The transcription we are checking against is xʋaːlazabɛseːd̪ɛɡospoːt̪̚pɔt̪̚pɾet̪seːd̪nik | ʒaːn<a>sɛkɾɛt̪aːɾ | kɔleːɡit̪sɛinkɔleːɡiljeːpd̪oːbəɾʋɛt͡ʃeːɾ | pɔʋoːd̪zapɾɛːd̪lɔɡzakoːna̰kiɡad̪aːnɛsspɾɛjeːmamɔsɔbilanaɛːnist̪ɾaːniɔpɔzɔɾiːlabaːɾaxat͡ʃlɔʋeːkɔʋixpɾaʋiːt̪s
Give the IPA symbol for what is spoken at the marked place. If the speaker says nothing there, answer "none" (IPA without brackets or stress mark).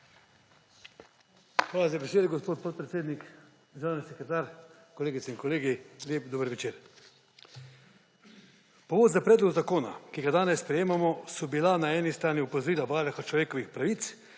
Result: i